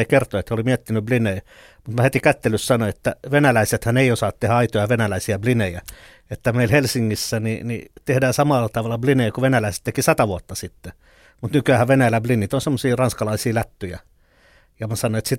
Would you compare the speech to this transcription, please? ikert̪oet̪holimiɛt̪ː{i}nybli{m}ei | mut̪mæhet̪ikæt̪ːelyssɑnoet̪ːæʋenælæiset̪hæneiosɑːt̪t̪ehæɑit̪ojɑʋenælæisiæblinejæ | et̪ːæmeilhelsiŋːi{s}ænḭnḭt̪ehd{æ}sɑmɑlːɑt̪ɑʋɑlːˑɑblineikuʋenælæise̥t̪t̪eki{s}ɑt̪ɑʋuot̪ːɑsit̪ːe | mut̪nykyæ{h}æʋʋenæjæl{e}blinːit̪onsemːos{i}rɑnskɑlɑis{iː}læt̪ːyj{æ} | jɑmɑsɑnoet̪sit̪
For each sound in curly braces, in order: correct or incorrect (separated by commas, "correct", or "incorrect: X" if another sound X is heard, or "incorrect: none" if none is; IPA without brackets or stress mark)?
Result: correct, incorrect: n, incorrect: sː, incorrect: æː, correct, correct, incorrect: æ, incorrect: iː, correct, correct